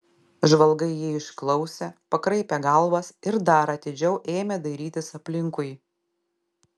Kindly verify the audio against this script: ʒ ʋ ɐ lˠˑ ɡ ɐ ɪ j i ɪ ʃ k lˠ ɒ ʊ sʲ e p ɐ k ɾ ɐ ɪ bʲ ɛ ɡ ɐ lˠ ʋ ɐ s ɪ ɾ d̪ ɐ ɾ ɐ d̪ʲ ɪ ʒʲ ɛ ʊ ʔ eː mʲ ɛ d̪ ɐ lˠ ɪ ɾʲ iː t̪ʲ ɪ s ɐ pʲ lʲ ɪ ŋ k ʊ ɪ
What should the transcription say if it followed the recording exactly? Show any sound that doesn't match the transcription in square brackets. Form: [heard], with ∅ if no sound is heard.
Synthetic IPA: ʒ ʋ ɐ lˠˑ ɡ ɐ ɪ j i ɪ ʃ k lˠ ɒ ʊ sʲ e p ɐ k ɾ ɐ ɪ [pʲ] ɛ ɡ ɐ lˠ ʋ ɐ s ɪ ɾ d̪ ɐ ɾ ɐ [t̪ʲ] ɪ [d͡ʒʲ] ɛ ʊ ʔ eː mʲ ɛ d̪ ɐ [∅] ɪ ɾʲ iː t̪ʲ ɪ s ɐ pʲ lʲ ɪ ŋ k ʊ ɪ